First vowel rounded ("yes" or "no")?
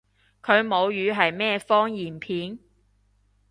yes